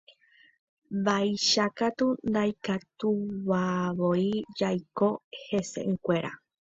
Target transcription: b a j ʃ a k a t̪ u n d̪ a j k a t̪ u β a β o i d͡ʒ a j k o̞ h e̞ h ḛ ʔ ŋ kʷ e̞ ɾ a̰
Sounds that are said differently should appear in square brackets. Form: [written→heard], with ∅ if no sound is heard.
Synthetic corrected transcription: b a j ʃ a k a t̪ u n d̪ a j k a t̪ u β a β o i d͡ʒ a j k o̞ h e̞ [h→s] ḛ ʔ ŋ kʷ e̞ ɾ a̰